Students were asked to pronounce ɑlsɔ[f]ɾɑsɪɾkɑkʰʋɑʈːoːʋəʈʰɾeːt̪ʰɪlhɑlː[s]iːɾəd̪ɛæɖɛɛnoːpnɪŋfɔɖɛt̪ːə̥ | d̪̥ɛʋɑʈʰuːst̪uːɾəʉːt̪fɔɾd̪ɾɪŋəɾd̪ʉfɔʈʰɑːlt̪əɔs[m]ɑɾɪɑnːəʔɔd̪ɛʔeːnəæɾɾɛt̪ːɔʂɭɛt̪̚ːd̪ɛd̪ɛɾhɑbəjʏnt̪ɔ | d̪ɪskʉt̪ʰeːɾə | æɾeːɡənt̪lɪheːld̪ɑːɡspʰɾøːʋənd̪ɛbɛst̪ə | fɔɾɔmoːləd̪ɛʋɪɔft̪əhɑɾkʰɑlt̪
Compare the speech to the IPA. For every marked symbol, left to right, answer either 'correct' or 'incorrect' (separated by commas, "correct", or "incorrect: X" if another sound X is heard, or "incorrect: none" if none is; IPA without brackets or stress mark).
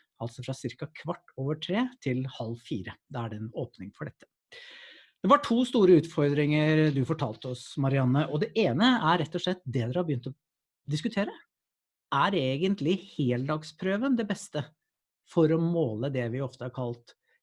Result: correct, incorrect: f, correct